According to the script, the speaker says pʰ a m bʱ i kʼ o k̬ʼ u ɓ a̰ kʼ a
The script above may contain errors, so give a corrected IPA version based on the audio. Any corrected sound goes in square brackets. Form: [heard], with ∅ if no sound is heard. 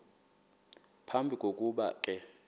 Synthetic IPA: pʰ a m bʱ i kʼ o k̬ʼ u ɓ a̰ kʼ [ɛ]